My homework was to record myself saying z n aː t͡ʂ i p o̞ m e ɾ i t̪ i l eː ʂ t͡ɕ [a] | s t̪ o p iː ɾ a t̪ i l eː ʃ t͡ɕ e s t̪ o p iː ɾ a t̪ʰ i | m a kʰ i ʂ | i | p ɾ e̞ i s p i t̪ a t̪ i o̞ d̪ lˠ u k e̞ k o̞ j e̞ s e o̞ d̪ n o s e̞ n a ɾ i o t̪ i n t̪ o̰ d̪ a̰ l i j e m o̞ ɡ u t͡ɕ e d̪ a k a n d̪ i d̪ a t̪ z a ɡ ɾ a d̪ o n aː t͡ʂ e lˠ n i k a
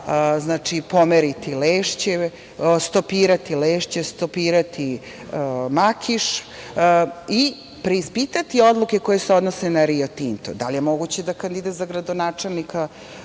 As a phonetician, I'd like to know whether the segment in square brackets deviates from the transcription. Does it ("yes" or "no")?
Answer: yes